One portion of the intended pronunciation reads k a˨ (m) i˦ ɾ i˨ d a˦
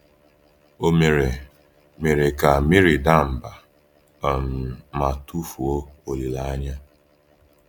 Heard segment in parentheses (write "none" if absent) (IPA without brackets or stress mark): m